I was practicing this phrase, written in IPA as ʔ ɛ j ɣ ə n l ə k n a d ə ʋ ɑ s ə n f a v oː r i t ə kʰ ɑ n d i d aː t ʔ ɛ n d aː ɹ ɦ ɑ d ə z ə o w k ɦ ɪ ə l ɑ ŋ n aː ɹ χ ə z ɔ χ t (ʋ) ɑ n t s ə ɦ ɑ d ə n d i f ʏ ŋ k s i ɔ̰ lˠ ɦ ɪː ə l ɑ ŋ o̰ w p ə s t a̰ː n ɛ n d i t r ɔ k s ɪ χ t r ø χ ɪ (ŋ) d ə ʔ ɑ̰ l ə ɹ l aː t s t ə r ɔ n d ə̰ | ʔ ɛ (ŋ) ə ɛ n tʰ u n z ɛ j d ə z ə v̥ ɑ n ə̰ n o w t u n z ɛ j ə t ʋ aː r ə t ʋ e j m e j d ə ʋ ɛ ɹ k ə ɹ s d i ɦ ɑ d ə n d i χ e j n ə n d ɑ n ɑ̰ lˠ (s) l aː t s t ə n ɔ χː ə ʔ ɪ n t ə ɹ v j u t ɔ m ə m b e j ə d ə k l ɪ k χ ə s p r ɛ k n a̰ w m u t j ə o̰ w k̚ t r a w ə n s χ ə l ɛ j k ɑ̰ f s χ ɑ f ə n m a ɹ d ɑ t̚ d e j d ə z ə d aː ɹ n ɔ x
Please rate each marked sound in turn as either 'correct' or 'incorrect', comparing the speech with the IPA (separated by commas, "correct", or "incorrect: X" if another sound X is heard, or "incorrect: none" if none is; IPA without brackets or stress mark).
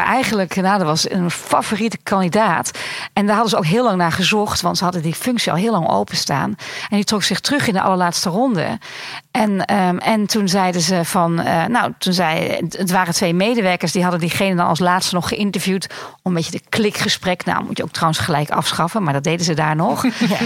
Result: correct, incorrect: n, incorrect: n, correct